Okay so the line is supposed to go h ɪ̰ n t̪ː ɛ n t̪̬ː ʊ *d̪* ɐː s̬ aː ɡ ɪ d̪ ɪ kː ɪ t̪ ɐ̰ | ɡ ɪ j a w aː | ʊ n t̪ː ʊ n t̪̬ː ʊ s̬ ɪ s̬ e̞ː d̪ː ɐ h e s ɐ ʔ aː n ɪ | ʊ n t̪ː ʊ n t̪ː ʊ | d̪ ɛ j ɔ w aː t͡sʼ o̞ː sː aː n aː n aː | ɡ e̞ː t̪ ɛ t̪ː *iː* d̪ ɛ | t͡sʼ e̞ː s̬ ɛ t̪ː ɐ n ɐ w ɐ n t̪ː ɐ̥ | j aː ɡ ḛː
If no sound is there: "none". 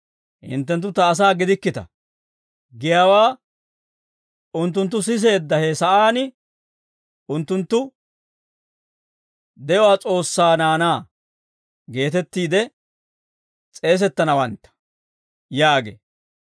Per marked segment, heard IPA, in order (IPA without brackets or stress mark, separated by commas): t̪, iː